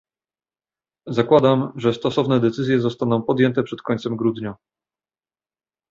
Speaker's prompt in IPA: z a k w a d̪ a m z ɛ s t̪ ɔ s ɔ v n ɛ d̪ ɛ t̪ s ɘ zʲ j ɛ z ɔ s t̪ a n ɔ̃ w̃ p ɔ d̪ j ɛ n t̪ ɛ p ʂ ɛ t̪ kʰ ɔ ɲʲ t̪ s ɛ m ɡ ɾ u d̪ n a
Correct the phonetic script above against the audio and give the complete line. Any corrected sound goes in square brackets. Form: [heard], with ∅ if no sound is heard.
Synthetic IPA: z a k w a d̪ a m [ʐ] ɛ s t̪ ɔ s ɔ v n ɛ d̪ ɛ t̪ s ɘ zʲ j ɛ z ɔ s t̪ a n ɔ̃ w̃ p ɔ d̪ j ɛ n t̪ ɛ p ʂ ɛ t̪ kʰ ɔ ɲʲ t̪ s ɛ m ɡ ɾ u d̪ [ɲ] a